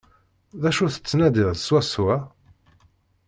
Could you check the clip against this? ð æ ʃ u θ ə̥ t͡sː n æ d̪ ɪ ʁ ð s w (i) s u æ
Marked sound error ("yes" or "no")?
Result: yes